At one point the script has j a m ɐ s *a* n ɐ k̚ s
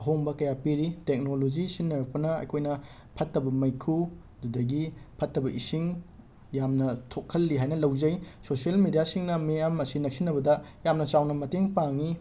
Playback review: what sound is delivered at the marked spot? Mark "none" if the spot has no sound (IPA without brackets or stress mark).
i